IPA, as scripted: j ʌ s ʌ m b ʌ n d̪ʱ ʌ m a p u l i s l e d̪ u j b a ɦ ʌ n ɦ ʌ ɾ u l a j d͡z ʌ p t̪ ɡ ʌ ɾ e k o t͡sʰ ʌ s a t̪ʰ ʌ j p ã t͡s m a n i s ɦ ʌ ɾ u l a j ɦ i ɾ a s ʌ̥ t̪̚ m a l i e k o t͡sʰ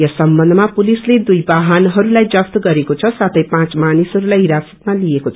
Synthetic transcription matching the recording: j ʌ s ʌ m b ʌ n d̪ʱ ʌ m a p u l i s l e d̪ u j b a ɦ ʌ n ɦ ʌ ɾ u l a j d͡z ʌ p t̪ ɡ ʌ ɾ e k o t͡sʰ ʌ s a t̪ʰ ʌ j p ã t͡s m a n i s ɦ ʌ ɾ u l a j ɦ i ɾ a s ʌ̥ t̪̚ m a l i e k o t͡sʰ